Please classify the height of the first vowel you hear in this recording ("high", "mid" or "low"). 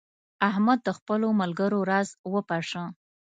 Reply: low